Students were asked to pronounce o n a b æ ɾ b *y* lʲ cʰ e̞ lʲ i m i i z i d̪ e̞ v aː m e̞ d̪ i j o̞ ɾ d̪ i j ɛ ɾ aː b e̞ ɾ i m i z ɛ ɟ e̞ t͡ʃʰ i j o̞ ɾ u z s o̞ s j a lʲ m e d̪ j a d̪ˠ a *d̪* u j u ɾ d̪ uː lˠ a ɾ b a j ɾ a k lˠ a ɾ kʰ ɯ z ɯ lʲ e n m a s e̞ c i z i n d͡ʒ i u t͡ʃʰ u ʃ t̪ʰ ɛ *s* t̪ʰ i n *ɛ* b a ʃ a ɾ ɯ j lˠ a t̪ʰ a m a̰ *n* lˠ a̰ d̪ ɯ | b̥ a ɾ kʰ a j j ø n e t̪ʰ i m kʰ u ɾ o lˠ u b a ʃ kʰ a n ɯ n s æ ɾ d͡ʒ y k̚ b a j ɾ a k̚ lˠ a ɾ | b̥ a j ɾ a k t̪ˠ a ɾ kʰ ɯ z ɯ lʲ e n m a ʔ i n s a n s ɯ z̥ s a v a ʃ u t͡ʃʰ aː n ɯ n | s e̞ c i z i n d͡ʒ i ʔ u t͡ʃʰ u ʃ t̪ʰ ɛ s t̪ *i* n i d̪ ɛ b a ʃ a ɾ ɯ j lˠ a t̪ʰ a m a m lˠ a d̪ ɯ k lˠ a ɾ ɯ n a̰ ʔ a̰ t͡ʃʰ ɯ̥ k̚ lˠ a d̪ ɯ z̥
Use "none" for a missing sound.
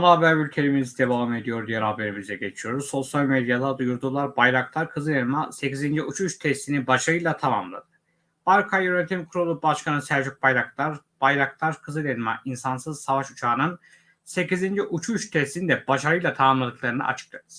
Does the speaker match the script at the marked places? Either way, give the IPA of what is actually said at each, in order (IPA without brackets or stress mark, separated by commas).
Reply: y, d̪, s, i, m, i